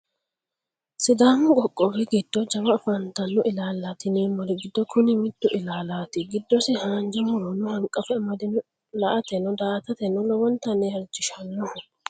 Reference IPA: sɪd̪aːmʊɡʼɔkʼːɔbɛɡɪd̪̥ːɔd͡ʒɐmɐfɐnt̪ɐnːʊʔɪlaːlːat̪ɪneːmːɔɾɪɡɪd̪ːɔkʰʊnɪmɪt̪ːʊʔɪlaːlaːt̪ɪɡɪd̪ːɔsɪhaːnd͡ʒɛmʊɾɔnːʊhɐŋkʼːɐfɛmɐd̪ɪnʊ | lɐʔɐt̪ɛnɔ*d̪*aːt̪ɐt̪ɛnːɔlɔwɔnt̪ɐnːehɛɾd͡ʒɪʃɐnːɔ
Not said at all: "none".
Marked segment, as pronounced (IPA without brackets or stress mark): d̪